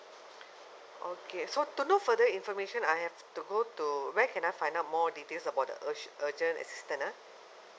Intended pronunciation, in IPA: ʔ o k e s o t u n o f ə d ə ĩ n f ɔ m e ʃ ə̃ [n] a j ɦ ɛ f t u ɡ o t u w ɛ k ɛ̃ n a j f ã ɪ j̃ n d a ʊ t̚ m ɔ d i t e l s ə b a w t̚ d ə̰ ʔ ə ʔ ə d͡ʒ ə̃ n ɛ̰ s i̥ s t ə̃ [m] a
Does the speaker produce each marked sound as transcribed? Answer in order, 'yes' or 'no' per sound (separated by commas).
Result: yes, no